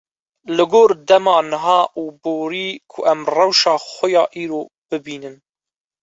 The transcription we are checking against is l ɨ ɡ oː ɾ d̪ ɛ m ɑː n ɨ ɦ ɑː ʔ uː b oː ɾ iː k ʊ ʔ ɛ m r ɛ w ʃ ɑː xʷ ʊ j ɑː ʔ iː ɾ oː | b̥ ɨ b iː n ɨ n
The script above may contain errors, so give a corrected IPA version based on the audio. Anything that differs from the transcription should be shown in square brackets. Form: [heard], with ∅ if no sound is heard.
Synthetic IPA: l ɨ ɡ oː ɾ d̪ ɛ m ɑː n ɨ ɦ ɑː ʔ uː b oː ɾ iː [kʰ] ʊ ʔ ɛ m r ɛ w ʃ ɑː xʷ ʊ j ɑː ʔ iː ɾ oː | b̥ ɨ b iː n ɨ n